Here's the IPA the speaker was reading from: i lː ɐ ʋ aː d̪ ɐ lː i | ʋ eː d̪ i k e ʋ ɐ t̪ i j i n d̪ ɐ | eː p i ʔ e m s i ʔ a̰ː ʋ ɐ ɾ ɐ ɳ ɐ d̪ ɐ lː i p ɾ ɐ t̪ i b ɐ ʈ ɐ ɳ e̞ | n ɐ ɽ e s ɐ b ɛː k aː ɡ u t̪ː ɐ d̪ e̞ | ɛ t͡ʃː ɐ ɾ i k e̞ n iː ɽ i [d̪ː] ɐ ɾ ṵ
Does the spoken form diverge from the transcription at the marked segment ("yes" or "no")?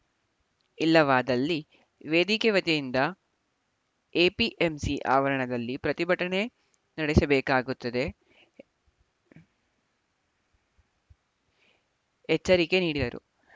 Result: yes